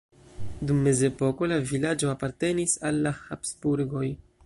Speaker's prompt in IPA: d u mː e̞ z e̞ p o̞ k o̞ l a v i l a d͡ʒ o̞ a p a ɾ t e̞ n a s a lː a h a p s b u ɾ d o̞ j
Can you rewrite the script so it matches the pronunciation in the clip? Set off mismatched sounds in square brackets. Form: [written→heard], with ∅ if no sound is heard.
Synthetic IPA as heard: d u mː e̞ z e̞ p o̞ k o̞ l a v i l a d͡ʒ o̞ a p a ɾ t e̞ n [a→i] s a lː a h a p s b u ɾ [d→ɡ] o̞ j